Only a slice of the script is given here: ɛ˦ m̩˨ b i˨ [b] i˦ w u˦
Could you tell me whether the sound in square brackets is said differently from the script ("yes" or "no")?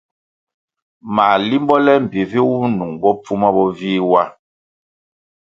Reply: yes